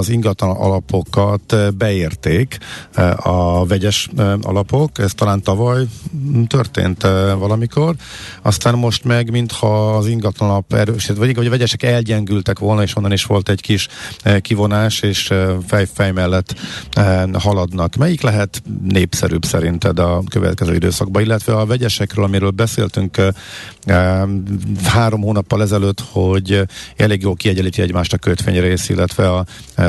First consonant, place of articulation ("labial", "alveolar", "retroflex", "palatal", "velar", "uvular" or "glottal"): alveolar